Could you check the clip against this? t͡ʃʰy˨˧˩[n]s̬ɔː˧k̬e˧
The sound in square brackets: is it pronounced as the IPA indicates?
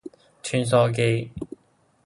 yes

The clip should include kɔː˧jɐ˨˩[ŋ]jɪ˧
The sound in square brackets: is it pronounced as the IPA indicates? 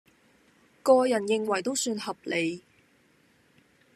no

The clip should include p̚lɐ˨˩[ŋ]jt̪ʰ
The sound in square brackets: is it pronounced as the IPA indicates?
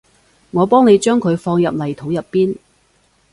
no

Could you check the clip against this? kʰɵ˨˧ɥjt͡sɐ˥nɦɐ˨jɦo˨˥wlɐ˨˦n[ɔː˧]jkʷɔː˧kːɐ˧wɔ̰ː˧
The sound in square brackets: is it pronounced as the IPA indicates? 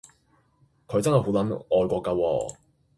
yes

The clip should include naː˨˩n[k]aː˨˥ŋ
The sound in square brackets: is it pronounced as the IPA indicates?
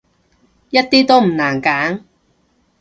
yes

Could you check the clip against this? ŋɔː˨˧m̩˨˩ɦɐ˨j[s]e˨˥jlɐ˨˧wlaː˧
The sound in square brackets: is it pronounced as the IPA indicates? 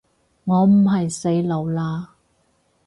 yes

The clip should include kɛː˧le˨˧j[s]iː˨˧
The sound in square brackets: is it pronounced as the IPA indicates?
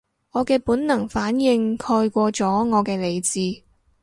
no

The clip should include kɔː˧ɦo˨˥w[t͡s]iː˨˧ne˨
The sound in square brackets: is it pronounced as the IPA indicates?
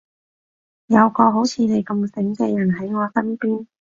no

